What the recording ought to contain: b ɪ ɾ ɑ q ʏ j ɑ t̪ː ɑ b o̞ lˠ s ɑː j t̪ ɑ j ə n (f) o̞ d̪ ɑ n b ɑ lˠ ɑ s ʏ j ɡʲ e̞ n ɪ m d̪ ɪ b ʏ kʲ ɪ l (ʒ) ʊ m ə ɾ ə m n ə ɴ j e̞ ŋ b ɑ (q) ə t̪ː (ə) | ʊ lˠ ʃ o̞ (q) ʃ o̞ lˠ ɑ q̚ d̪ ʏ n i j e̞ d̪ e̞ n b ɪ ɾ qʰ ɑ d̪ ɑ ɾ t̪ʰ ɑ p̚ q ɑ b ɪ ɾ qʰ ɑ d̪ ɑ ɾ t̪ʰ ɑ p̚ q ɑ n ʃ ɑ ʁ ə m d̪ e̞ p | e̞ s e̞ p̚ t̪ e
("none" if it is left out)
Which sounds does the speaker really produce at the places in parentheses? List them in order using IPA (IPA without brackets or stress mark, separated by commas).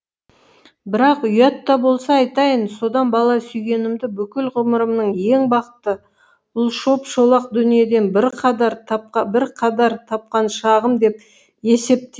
s, ʁ, q, ə, p